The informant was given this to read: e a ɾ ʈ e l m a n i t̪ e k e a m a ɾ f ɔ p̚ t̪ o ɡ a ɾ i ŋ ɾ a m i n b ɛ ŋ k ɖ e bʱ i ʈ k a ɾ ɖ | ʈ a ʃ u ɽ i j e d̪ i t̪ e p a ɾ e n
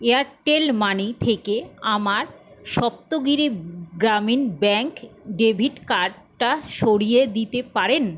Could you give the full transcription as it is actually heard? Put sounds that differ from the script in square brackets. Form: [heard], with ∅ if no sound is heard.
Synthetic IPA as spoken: e a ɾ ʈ e l m a n i [t̪ʰ] e k e a m a ɾ [ʃ] ɔ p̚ t̪ o ɡ [i] ɾ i [ɡ] ɾ a m i n b ɛ ŋ k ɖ e bʱ i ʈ k a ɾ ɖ | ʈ a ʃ [o] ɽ i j e d̪ i t̪ e p a ɾ e n